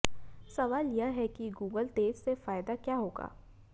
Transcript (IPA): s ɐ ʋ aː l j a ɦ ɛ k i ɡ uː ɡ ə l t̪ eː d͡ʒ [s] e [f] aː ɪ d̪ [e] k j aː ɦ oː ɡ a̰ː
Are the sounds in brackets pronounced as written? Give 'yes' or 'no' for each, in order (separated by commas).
yes, yes, no